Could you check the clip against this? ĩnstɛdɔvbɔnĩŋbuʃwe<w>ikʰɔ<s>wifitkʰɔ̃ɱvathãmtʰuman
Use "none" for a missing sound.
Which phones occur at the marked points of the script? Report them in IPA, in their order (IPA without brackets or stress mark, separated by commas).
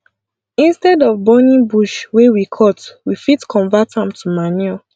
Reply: w, t